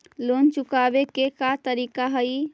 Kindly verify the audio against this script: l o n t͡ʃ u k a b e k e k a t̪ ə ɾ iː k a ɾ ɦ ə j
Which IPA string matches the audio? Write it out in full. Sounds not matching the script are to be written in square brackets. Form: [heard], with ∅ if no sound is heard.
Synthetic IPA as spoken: l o n t͡ʃ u k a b e k e k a t̪ ə ɾ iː k a [∅] ɦ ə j